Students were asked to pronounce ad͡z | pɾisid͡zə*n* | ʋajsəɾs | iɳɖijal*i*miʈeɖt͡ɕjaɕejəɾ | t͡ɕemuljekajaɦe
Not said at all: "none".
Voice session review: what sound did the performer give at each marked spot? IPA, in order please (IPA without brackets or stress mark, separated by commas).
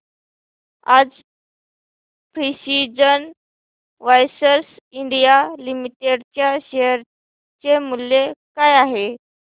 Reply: n, i